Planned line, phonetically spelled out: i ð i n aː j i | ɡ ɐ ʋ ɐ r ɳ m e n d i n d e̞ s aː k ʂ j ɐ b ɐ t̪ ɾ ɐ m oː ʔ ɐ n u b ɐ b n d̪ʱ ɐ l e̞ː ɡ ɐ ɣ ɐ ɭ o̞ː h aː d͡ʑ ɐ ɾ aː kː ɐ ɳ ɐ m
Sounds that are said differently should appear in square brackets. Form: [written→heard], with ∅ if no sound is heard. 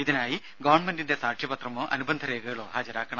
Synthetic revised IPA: i ð i n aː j i | ɡ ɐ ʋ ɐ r ɳ m e n d i n d e̞ s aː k ʂ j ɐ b ɐ t̪ [ɾ→r] ɐ m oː ʔ ɐ n u b ɐ [b→∅] n d̪ʱ ɐ [l→ɾ] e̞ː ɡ ɐ ɣ ɐ ɭ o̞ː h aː d͡ʑ ɐ ɾ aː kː ɐ ɳ ɐ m